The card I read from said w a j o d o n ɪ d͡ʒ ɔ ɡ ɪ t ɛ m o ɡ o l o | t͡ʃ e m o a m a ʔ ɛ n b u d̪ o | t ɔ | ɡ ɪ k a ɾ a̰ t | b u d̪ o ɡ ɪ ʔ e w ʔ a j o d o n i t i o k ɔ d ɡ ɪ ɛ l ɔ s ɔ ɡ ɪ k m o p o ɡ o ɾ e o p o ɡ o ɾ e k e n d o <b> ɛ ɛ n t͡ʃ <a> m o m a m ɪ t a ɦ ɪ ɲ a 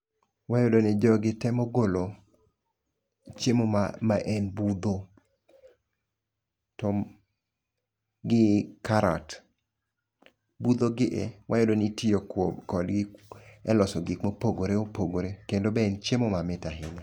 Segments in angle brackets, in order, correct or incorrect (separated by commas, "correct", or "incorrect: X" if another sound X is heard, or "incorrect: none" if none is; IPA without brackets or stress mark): correct, incorrect: e